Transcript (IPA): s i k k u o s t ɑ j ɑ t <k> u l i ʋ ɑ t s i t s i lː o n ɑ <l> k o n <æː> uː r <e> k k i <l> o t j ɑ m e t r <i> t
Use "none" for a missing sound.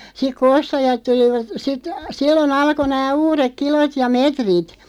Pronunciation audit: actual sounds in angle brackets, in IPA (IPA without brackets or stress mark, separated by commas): t, l, æː, e, l, i